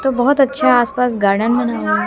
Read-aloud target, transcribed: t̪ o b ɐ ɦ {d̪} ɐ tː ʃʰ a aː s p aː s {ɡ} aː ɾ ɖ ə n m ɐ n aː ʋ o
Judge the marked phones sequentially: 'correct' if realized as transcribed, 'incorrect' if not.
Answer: incorrect, correct

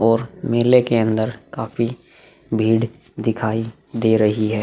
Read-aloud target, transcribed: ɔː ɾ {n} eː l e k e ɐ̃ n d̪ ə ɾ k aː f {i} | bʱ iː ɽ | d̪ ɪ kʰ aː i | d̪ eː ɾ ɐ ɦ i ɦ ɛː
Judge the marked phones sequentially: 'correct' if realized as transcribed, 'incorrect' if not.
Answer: incorrect, correct

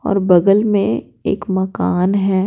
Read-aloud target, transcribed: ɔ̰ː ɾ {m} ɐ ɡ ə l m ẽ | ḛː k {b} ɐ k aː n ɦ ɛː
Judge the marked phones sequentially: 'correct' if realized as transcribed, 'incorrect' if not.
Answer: incorrect, incorrect

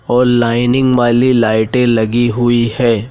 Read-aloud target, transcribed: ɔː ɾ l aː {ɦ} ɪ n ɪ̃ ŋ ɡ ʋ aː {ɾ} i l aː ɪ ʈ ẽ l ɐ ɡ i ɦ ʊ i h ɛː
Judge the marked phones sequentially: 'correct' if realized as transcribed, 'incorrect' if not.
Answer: incorrect, incorrect

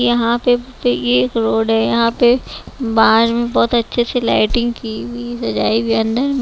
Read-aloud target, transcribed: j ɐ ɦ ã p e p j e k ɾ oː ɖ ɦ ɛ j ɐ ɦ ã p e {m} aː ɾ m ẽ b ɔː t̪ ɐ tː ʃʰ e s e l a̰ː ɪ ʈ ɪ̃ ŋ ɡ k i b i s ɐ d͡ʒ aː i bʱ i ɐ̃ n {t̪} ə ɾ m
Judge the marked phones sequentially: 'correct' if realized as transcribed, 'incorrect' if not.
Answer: incorrect, incorrect

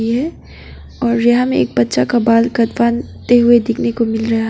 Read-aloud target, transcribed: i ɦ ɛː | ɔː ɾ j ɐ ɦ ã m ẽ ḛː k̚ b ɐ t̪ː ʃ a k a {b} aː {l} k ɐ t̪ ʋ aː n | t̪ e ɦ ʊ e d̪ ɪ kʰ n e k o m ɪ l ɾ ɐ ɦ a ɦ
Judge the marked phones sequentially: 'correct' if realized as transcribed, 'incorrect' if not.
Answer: correct, correct

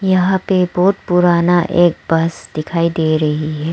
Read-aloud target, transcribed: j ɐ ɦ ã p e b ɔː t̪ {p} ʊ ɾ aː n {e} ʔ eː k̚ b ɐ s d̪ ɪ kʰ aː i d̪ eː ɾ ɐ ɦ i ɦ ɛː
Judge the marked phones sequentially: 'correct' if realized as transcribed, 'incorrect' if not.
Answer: correct, incorrect

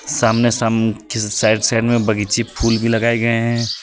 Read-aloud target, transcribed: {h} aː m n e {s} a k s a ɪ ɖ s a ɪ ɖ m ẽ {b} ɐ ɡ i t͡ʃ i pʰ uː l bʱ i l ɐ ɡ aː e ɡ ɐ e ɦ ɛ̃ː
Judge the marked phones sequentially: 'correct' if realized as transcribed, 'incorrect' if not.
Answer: incorrect, correct, correct

